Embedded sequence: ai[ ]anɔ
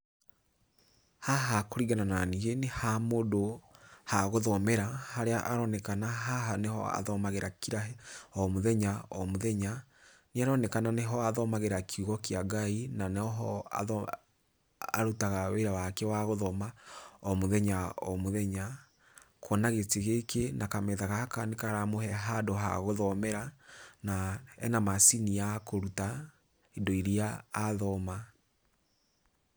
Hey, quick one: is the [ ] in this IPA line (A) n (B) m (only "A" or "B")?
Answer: A